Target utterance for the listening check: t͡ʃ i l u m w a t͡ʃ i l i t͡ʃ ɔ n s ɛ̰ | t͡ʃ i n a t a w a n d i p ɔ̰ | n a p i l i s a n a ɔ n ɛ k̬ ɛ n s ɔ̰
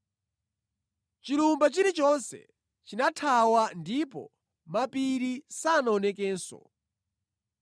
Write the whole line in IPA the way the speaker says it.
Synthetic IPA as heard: t͡ʃ i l u m b a t͡ʃ i ɾ i t͡ʃ ɔ n s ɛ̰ | t͡ʃ i n a tʰ a w a n d i p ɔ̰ | m a p i ɾ i s a n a ɔ n ɛ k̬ ɛː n s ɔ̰